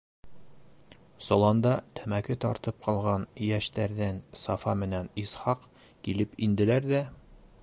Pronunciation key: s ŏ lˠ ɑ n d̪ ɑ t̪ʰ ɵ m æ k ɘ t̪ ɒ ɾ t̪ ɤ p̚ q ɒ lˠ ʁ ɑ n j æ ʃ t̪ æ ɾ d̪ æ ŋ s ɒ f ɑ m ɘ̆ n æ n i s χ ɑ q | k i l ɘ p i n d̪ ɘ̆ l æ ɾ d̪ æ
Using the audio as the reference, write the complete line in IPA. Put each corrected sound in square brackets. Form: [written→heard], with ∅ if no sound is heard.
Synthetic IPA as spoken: s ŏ lˠ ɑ n d̪ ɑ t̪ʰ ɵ m æ k ɘ t̪ ɒ ɾ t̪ ɤ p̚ q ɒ lˠ ʁ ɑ n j æ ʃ t̪ æ ɾ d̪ æ [ŋ→n] s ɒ f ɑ m ɘ̆ n æ n i s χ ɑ q | k i l ɘ p i n d̪ ɘ̆ l æ ɾ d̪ æ